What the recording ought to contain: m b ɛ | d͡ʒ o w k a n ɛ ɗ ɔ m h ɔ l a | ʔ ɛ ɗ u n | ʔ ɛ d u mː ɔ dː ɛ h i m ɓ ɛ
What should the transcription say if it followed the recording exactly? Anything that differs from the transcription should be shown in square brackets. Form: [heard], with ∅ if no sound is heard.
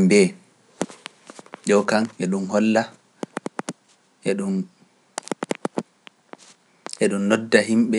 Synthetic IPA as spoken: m b ɛ | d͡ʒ [ɔ] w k a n ɛ ɗ [u] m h ɔ [lː] a | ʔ ɛ ɗ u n | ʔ ɛ [ɗ] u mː ɔ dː [a] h i m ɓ ɛ